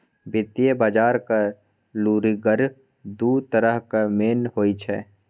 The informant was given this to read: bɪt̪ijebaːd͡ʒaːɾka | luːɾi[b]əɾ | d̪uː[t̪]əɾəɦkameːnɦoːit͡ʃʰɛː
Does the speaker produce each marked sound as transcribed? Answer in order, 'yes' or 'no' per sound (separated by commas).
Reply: no, yes